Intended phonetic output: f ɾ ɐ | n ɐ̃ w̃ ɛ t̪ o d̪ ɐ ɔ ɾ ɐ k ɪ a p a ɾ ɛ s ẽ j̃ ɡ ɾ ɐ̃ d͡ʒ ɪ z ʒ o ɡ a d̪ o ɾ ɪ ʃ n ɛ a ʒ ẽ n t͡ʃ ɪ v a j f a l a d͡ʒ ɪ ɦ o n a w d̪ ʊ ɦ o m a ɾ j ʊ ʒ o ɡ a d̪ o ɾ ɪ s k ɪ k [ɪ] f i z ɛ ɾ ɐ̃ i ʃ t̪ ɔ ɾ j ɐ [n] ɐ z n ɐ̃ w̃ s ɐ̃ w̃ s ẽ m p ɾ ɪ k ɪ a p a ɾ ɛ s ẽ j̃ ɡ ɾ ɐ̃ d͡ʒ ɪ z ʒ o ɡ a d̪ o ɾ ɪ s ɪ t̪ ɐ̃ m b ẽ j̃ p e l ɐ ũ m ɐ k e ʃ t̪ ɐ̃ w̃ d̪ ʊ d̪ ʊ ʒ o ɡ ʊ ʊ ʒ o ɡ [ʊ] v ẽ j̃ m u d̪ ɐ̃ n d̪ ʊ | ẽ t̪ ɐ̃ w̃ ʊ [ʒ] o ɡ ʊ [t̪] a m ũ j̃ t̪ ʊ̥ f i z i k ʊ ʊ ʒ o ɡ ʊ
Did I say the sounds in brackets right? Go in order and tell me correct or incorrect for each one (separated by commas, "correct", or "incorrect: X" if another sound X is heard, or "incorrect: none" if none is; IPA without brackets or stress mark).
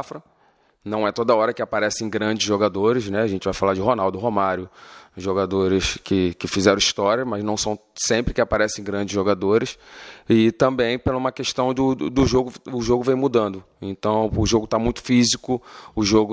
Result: correct, incorrect: m, correct, correct, correct